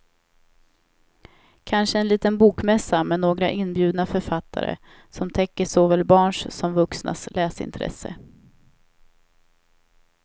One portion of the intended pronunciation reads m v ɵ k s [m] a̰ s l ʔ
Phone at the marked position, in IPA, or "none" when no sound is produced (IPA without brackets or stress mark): n